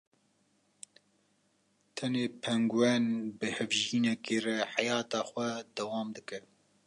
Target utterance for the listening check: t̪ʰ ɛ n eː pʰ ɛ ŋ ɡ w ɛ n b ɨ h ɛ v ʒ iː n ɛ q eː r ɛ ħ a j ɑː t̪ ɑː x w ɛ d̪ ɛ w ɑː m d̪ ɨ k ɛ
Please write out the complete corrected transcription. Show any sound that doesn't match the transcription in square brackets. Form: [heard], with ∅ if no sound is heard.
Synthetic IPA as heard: t̪ʰ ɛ n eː pʰ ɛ ŋ ɡ w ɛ n b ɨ h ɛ v ʒ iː n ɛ [k] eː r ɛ ħ a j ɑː t̪ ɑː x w ɛ d̪ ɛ w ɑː m d̪ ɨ k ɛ